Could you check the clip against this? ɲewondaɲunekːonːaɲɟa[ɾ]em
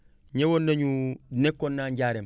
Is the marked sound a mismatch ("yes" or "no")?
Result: no